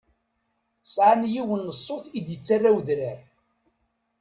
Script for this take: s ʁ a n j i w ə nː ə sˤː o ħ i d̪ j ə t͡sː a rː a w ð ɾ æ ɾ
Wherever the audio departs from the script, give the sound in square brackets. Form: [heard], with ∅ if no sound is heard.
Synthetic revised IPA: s [ʕ] a n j i w ə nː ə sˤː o [θ] i d̪ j ə t͡sː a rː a w ð ɾ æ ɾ